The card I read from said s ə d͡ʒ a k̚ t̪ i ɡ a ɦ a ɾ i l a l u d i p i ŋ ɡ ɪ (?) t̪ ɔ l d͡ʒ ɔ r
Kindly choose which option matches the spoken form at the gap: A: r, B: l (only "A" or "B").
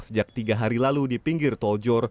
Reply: A